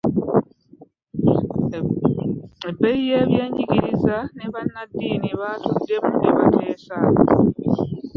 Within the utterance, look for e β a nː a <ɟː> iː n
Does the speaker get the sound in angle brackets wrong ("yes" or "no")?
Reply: yes